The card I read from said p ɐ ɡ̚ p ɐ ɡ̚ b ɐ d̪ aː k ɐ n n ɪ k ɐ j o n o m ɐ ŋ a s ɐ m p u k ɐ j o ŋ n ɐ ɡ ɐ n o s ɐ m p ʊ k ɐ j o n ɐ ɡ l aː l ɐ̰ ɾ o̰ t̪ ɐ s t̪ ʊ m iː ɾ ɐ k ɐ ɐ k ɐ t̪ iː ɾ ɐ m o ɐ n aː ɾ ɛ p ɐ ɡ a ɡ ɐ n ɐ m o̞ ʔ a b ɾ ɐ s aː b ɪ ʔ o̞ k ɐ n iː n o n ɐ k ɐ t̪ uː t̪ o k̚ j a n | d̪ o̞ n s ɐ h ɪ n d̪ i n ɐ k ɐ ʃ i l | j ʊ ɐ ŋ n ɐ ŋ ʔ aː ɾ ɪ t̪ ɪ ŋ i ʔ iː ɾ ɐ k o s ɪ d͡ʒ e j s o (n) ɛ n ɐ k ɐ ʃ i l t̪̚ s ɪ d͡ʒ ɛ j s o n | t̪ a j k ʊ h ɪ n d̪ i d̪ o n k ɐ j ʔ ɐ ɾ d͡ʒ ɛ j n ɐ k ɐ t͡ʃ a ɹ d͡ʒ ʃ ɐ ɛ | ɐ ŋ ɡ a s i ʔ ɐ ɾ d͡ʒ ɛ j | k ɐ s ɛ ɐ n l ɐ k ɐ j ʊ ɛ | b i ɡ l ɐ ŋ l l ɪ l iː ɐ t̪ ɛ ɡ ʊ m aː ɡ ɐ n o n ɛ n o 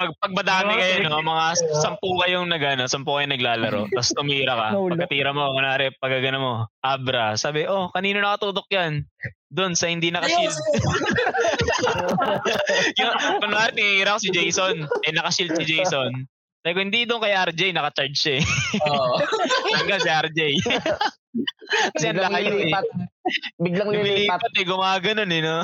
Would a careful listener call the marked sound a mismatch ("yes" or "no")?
no